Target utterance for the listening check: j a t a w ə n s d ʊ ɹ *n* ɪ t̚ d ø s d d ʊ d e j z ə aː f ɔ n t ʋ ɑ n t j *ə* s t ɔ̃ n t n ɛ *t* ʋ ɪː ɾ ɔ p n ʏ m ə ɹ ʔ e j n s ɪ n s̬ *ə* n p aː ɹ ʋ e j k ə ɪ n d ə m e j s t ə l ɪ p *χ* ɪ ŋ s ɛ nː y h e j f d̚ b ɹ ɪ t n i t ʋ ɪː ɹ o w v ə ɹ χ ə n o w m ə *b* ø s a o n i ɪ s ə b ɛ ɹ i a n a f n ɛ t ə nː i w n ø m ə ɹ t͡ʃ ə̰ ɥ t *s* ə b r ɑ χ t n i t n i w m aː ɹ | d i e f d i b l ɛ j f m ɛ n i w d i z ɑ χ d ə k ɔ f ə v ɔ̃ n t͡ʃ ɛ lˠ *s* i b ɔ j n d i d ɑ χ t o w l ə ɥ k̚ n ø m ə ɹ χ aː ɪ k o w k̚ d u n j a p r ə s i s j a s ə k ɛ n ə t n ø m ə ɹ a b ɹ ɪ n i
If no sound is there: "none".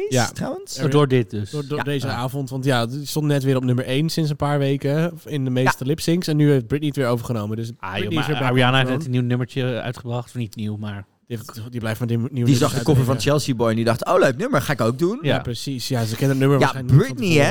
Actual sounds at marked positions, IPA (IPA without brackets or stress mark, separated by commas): d, a, t, ə, s, d, χ, s